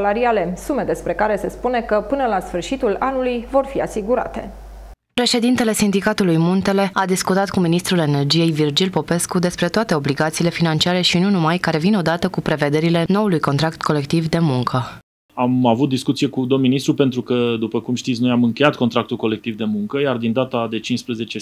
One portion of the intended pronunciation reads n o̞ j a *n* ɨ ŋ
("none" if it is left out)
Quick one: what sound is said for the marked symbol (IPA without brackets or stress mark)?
m